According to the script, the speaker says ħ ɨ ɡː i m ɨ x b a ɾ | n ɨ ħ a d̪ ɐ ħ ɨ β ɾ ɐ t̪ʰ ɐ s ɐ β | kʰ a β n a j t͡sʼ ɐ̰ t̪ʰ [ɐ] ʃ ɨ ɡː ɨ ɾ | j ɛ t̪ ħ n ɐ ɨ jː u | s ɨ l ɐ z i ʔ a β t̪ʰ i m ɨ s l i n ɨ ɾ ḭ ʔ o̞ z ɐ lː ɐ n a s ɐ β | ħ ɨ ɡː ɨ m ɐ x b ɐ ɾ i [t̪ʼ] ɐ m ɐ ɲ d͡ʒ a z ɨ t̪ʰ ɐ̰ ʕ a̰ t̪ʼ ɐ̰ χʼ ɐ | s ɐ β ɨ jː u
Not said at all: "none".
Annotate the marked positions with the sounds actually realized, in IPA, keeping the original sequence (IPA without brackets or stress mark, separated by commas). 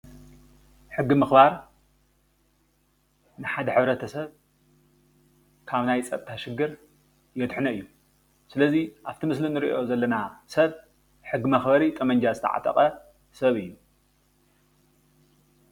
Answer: a, t̪ʼ